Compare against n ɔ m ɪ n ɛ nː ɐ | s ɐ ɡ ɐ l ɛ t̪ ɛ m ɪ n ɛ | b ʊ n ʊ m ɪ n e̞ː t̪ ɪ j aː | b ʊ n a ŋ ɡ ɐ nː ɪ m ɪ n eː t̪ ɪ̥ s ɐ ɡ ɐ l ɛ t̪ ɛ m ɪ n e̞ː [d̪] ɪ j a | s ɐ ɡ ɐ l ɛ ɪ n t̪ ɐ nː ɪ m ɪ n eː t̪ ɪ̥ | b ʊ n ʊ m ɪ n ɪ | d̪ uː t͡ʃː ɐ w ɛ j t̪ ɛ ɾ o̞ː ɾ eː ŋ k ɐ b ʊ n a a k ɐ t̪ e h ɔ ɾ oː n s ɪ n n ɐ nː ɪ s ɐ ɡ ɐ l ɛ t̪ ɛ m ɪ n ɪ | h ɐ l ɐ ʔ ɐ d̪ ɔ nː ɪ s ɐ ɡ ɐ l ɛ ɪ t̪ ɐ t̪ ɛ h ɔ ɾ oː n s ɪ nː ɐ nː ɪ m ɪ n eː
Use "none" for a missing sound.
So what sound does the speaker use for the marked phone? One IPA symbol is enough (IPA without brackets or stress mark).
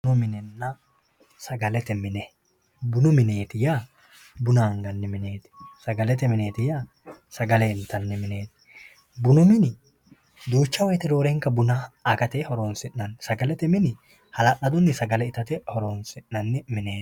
t̪